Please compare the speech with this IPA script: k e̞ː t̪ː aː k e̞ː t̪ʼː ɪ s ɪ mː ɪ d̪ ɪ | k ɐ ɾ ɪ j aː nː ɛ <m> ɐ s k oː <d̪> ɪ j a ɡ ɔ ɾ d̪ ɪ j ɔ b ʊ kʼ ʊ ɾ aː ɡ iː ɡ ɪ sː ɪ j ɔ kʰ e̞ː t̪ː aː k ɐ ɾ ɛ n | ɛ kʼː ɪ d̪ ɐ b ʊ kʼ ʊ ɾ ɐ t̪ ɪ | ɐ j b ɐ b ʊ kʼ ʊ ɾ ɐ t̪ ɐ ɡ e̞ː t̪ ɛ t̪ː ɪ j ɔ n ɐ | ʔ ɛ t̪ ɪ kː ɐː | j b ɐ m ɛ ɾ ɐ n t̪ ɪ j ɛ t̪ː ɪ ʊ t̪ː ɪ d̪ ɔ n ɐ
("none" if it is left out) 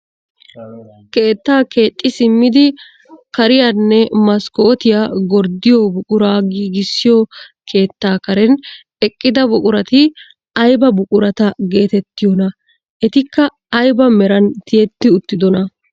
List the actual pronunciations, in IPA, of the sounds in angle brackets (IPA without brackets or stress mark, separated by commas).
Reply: m, t̪